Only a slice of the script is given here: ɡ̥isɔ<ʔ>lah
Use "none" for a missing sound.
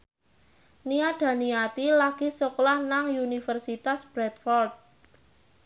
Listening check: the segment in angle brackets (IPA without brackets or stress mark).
k